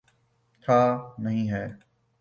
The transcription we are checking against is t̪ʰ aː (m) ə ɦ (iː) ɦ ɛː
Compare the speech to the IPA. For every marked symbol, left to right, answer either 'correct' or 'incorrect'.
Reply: incorrect, incorrect

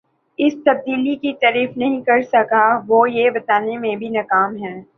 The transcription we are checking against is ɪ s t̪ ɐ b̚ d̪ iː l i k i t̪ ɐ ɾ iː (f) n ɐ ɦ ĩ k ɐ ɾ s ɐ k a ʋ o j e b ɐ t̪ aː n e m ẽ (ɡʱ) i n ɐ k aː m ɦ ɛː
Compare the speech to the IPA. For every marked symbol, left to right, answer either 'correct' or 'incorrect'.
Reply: correct, incorrect

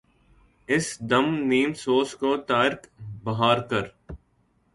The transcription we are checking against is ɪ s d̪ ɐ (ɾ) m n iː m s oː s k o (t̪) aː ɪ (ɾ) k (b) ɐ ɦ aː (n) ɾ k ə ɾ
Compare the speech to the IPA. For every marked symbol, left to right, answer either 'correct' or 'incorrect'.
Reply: incorrect, correct, correct, correct, incorrect

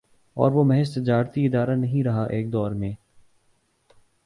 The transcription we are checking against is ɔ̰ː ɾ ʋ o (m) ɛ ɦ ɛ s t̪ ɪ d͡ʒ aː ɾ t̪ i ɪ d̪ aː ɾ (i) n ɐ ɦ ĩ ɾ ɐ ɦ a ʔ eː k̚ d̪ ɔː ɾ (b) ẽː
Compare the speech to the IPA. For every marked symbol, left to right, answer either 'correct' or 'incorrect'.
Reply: correct, incorrect, incorrect

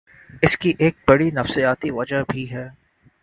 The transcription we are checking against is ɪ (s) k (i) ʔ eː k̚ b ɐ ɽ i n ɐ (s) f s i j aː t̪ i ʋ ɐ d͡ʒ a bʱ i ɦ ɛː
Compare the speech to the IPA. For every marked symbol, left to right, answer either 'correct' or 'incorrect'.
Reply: correct, correct, incorrect

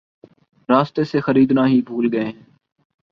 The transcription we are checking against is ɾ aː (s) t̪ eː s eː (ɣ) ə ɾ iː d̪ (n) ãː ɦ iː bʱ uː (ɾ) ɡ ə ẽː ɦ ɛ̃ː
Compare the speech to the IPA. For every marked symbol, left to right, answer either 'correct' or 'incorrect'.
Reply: correct, incorrect, correct, incorrect

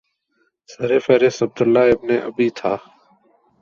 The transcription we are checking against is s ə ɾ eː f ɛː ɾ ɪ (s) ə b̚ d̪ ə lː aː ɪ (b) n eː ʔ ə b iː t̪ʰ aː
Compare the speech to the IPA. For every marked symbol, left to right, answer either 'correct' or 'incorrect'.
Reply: correct, correct

